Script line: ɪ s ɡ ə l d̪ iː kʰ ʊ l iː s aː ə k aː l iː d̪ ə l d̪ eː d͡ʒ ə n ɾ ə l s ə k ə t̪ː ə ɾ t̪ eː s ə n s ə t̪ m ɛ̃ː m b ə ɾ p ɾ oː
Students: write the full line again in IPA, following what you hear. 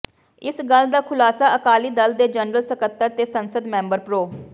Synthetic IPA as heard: ɪ s ɡ ə l d̪ aː kʰ ʊ l aː s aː ə k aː l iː d̪ ə l d̪ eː d͡ʒ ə n ɾ ə l s ə k ə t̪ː ə ɾ t̪ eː s ə n s ə d̪ m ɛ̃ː m b ə ɾ p ɾ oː